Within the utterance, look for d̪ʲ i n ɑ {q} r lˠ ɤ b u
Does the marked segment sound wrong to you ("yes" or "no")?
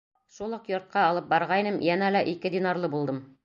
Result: yes